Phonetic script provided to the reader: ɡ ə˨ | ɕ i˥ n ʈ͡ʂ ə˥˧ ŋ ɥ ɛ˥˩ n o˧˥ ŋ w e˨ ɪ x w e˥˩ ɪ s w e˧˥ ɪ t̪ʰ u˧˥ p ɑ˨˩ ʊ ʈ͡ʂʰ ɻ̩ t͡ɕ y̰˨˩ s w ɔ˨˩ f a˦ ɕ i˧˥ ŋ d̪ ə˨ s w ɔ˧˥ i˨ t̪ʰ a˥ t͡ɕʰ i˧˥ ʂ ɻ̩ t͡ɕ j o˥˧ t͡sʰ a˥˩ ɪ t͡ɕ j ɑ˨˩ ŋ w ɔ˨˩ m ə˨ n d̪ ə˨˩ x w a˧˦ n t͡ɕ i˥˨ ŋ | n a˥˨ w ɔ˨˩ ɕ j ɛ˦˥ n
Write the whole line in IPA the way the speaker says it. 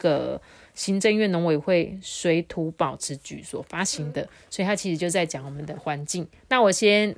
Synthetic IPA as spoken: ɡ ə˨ | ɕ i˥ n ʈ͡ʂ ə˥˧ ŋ ɥ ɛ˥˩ n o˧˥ ŋ w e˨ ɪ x w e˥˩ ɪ s w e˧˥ ɪ t̪ʰ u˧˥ p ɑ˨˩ ʊ ʈ͡ʂʰ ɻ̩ t͡ɕ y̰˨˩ s w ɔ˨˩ f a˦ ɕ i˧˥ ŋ d̪ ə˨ s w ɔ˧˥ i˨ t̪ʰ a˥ t͡ɕʰ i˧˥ ʂ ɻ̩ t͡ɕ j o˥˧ t͡s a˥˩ ɪ t͡ɕ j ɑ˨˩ ŋ w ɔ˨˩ m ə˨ n d̪ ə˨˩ x w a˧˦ n t͡ɕ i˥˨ ŋ | n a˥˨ w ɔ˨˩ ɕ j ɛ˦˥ n